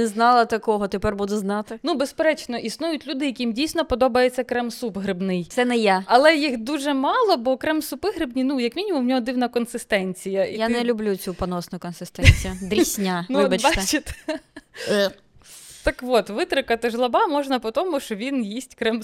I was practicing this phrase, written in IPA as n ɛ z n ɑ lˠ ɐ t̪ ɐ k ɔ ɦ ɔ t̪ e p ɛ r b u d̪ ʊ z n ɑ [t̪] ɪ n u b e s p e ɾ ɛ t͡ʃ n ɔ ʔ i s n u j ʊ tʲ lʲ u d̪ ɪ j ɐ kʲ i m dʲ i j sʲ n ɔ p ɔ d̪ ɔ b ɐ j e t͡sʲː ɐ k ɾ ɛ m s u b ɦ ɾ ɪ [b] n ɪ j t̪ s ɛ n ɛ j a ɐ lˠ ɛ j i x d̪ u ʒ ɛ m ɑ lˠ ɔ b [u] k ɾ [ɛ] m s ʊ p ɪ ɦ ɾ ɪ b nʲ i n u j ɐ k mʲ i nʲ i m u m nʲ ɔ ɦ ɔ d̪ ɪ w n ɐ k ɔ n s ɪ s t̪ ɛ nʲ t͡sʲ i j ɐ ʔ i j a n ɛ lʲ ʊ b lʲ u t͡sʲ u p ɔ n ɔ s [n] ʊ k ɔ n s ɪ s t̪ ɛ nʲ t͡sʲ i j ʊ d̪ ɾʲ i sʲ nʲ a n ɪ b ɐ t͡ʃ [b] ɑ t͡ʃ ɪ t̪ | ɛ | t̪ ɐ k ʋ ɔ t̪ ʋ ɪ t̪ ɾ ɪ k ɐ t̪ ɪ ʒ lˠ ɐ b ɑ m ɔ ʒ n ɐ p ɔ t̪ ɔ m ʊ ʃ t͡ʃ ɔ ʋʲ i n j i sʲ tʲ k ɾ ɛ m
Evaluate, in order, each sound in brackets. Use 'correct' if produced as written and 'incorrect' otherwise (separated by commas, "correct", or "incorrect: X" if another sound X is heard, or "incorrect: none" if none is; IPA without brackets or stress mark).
correct, correct, incorrect: ɔ, correct, correct, correct